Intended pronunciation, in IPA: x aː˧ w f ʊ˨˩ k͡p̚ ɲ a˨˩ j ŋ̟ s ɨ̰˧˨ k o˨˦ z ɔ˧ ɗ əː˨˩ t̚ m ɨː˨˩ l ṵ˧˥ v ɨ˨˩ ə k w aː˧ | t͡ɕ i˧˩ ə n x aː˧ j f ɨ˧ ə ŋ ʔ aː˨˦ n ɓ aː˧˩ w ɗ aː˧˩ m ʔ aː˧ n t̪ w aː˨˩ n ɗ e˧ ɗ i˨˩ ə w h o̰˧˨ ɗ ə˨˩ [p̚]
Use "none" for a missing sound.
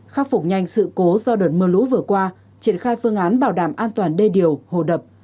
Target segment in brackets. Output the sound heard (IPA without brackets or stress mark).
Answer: p̚